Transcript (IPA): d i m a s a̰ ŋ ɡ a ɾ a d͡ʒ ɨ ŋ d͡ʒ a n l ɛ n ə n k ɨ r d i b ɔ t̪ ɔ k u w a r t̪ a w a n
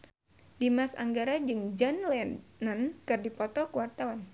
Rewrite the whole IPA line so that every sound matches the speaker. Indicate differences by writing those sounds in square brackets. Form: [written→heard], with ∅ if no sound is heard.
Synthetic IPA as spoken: d i m a s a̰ ŋ ɡ a ɾ a d͡ʒ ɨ ŋ d͡ʒ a n l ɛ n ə n k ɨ r d i [b→p] ɔ t̪ ɔ k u w a r t̪ a w a n

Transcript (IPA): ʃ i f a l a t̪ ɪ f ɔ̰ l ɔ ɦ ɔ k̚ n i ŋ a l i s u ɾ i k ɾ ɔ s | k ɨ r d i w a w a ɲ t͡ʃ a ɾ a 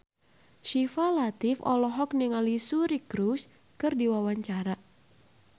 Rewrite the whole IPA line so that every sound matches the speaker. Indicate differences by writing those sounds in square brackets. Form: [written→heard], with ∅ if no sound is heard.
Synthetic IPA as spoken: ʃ i f a l a t̪ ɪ f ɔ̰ l ɔ ɦ ɔ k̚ n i ŋ a l i s u ɾ i k ɾ [ɔ→u] s | k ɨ r d i w a w a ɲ t͡ʃ a ɾ a

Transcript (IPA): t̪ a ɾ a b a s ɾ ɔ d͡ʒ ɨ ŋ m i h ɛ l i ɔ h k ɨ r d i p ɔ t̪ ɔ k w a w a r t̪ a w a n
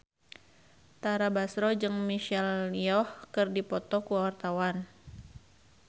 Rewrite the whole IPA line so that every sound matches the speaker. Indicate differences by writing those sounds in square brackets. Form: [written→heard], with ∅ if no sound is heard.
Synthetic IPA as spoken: t̪ a ɾ a b a s ɾ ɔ d͡ʒ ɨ ŋ m i [h→ʃ] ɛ l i ɔ h k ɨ r d i p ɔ t̪ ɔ k [w→u] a w a r t̪ a w a n

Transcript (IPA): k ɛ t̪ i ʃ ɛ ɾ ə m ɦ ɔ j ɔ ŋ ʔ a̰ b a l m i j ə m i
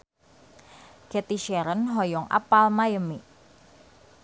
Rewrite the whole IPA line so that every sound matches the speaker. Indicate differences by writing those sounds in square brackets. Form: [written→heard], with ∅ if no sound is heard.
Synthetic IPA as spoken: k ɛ t̪ i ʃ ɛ ɾ ə [m→n] ɦ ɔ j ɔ ŋ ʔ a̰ [b→p] a l m [i→a] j ə m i

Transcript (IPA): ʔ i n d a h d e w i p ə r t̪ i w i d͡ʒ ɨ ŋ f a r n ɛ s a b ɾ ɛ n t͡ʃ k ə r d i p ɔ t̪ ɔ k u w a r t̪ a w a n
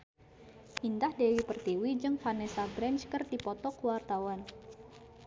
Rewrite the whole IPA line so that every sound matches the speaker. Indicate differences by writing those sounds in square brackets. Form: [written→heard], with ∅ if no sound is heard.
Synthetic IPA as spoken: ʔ i n d a h d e w i p ə r t̪ i w i d͡ʒ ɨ ŋ f a [r→∅] n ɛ s a b ɾ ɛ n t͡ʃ k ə r d i p ɔ t̪ ɔ k u w a r t̪ a w a n

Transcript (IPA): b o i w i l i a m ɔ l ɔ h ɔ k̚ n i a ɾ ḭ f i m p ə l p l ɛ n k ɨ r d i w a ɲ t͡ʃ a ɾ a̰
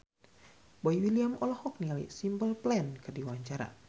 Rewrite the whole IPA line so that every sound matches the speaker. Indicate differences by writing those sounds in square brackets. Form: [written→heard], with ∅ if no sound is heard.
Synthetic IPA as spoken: b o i w i l i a m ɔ l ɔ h ɔ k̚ n i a [ɾ→l] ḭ [f→s] i m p ə l p l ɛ n k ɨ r d i w a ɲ t͡ʃ a ɾ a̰

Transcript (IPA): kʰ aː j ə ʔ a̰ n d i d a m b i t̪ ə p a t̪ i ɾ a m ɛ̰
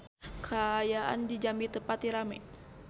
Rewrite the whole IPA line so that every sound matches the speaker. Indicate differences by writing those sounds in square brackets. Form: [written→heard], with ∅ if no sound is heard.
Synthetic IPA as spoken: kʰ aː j [ə→a] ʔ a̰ n d i [d→d͡ʒ] a m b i t̪ ə p a t̪ i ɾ a m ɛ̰

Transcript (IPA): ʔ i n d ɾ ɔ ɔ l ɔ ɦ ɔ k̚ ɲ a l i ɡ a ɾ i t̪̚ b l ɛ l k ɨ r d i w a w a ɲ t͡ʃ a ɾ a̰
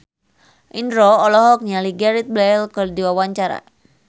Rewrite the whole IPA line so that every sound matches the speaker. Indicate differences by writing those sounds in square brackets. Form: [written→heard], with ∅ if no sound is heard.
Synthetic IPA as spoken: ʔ i n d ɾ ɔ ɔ l ɔ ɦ ɔ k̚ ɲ a l i ɡ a ɾ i t̪̚ b l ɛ l k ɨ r d i w a w a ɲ t͡ʃ a ɾ a̰

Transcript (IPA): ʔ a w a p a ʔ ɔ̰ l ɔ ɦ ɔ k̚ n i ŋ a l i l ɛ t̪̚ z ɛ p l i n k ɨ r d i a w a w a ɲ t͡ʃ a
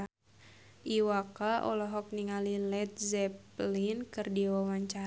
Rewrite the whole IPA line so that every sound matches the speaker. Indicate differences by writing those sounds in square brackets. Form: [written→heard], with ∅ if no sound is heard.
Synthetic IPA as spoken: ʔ [a→i] w a [p→k] a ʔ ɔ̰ l ɔ ɦ ɔ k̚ n i ŋ a l i l ɛ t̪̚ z ɛ p l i n k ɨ r d i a w a w a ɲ t͡ʃ a

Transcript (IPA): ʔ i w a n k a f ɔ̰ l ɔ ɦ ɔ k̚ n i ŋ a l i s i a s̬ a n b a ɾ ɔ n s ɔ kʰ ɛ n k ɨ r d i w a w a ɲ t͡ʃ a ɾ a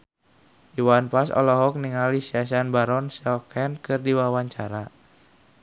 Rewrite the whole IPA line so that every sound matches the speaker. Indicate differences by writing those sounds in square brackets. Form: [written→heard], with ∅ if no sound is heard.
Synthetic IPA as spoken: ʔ i w a n [k→p] a [f→s] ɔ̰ l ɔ ɦ ɔ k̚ n i ŋ a l i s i a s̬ a n b a ɾ ɔ n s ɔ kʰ ɛ n k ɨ r d i w a w a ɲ t͡ʃ a ɾ a

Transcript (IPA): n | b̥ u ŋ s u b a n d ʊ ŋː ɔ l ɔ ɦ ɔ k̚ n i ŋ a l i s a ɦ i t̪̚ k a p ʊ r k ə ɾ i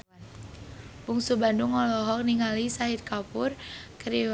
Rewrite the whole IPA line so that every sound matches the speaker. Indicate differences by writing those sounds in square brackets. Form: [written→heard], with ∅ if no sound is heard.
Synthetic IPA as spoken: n | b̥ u ŋ s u b a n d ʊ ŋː ɔ l ɔ ɦ ɔ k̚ n i ŋ a l i s a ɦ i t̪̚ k a p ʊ r k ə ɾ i

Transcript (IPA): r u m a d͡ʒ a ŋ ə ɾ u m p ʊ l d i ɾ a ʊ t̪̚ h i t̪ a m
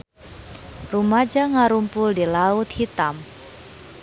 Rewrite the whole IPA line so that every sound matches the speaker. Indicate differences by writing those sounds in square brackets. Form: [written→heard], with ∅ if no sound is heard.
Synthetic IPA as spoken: r u m a d͡ʒ a ŋ [ə→a] ɾ u m p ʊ l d i [ɾ→l] a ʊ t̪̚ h i t̪ a m

